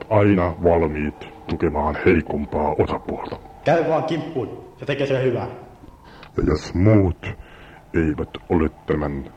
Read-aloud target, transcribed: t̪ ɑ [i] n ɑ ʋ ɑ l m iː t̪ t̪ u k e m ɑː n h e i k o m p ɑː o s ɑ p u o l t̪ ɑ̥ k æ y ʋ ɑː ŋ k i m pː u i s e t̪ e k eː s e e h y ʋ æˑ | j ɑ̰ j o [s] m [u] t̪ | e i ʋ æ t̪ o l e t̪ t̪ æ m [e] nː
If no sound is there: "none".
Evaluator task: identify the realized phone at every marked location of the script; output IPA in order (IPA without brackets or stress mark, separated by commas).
i, s, uː, æ